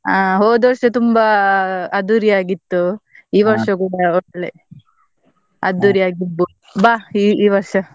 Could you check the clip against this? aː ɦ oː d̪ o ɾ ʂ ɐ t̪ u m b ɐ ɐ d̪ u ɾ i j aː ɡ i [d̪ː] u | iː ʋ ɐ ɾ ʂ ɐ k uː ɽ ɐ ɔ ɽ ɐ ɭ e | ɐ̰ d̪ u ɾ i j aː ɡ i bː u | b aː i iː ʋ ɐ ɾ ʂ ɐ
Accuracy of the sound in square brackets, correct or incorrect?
incorrect